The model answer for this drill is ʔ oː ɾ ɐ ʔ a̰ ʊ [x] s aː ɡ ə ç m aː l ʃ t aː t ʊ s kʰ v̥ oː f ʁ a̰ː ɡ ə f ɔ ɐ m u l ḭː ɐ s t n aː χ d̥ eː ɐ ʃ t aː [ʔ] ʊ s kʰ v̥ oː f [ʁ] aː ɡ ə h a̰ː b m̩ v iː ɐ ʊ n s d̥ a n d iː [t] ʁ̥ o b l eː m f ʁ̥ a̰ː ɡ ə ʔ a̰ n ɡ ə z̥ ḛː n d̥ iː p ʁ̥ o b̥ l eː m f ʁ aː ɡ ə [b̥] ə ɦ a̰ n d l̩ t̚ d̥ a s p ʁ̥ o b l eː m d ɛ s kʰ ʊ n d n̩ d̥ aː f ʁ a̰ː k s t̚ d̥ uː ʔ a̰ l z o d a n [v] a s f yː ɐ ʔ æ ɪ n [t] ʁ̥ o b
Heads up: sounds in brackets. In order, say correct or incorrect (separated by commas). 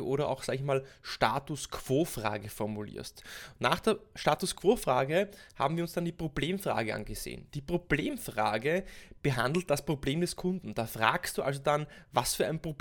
correct, incorrect, correct, incorrect, correct, correct, incorrect